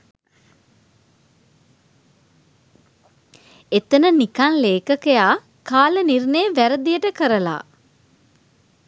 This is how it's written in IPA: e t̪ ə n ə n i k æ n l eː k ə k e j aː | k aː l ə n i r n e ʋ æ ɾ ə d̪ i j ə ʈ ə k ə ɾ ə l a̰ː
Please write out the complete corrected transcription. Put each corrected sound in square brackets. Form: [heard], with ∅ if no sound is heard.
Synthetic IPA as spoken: e t̪ ə n ə n i k [a] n l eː k ə k e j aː | k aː l ə n i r n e ʋ æ ɾ ə d̪ i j ə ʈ ə k ə ɾ ə l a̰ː